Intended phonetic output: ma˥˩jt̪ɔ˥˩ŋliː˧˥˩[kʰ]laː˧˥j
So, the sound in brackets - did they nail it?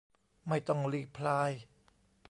no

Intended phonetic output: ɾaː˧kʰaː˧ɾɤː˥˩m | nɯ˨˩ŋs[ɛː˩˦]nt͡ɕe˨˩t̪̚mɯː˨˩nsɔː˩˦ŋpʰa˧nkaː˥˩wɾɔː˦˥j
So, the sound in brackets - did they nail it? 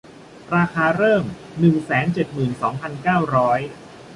yes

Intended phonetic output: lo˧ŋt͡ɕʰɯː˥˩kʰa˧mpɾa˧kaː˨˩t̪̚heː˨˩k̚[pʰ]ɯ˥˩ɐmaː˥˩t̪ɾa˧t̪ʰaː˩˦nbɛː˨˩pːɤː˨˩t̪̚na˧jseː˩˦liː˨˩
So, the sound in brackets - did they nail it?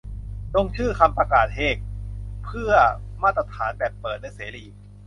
yes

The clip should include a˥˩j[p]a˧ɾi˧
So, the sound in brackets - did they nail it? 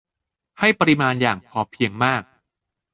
yes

